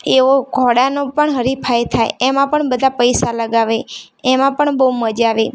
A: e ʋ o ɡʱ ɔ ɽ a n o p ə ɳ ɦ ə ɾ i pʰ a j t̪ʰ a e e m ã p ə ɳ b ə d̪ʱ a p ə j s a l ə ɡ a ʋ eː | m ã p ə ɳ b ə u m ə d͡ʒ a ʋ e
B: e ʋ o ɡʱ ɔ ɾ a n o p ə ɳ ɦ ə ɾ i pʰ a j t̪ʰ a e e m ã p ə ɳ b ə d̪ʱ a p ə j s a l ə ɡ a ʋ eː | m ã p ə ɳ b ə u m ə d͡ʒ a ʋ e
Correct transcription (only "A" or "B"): A